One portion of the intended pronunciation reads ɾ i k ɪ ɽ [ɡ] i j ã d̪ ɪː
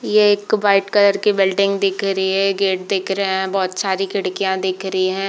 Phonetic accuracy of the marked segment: incorrect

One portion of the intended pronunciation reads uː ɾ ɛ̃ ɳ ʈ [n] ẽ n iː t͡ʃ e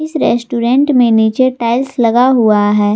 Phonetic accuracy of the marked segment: incorrect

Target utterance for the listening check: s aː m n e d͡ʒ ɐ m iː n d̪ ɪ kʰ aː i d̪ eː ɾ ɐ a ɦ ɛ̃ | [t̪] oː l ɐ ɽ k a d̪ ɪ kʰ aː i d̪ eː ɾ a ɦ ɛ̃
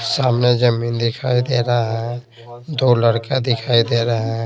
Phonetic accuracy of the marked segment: incorrect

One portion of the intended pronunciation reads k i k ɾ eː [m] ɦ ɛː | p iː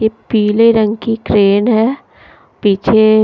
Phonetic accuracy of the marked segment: incorrect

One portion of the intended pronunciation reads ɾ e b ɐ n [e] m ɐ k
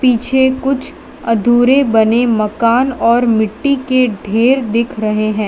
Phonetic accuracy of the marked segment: correct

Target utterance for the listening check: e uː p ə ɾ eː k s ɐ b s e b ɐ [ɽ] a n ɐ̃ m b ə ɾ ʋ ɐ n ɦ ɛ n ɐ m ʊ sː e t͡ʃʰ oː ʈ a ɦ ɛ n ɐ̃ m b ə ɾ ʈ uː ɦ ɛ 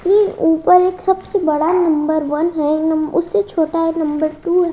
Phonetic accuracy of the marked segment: correct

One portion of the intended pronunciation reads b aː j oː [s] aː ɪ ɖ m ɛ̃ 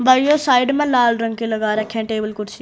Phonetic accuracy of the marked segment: correct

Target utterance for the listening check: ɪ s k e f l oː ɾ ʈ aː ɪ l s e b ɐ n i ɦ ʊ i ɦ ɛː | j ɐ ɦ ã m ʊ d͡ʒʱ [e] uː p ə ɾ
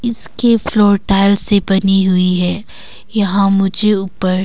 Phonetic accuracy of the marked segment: correct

